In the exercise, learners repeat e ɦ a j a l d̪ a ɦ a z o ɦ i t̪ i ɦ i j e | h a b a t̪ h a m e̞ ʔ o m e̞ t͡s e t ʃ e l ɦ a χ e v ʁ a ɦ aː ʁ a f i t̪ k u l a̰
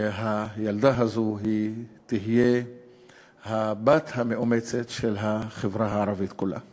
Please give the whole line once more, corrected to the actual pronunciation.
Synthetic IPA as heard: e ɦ a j a l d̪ a ɦ a z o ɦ i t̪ i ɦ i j e | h a b a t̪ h a m e̞ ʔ o m e̞ t͡s e t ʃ e l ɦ a χ e v ʁ a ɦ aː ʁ a v i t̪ k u l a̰